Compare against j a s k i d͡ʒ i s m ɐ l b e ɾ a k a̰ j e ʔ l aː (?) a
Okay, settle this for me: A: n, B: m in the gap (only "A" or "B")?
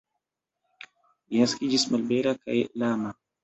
B